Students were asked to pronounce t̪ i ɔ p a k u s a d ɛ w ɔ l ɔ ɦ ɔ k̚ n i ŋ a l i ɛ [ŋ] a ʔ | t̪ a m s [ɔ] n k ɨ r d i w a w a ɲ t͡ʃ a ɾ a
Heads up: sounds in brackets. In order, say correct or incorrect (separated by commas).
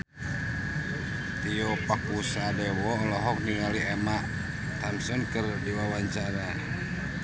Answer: incorrect, correct